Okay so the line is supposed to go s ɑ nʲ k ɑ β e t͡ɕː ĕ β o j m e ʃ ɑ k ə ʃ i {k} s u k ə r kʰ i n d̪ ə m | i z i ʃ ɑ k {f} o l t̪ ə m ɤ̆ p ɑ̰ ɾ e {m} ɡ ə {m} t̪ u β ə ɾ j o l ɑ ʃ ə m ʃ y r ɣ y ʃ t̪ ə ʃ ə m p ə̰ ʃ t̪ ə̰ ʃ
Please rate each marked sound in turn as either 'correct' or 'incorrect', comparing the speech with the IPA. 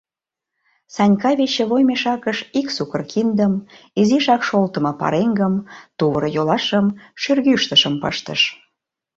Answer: correct, incorrect, incorrect, correct

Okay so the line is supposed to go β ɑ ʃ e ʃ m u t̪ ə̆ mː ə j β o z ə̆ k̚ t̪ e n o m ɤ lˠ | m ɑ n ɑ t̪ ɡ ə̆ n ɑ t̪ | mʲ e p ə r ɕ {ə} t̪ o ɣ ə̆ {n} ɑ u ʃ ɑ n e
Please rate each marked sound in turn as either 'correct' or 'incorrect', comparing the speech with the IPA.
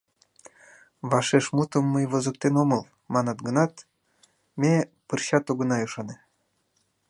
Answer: incorrect, correct

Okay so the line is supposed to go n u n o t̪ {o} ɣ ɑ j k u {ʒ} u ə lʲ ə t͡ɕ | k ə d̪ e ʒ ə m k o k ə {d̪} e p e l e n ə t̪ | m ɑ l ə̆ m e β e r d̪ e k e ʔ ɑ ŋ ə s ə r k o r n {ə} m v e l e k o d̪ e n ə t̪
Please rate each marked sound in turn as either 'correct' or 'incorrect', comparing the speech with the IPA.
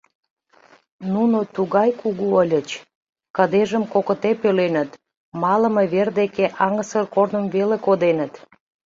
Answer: incorrect, incorrect, incorrect, correct

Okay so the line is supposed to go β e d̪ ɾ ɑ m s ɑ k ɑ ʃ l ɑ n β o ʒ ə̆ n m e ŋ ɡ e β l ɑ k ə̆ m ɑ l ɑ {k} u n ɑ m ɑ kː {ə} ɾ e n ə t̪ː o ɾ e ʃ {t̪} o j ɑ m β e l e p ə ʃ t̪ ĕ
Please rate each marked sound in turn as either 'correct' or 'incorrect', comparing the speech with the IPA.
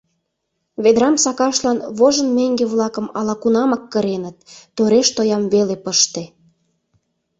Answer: correct, correct, correct

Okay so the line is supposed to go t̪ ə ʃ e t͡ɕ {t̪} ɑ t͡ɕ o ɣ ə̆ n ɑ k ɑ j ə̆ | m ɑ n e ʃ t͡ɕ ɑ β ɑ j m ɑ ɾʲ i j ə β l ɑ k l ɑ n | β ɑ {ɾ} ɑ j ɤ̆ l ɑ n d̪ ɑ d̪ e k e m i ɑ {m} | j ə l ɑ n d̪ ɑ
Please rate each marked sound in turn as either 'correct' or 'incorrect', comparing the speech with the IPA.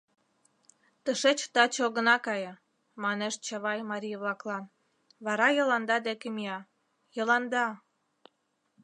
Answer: correct, correct, incorrect

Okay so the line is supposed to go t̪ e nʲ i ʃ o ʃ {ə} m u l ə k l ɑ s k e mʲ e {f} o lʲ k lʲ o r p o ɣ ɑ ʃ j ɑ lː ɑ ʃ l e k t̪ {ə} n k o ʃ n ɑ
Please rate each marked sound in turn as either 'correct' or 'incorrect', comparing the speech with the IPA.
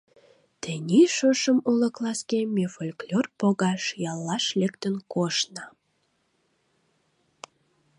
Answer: correct, correct, correct

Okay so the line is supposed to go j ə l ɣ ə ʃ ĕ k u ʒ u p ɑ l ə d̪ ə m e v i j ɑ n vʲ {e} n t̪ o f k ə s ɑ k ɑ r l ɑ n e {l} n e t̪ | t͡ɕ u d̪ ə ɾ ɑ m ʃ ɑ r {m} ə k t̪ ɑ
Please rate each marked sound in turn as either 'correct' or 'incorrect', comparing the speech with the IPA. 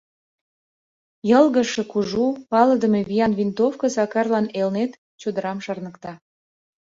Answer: incorrect, correct, incorrect

